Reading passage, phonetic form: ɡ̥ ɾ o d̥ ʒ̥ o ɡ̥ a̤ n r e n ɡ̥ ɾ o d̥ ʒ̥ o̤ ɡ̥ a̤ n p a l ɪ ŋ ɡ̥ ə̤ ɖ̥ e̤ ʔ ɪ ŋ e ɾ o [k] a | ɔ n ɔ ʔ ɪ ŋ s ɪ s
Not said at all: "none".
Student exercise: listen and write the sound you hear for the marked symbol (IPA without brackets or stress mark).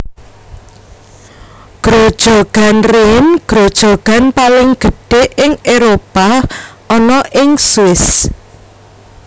p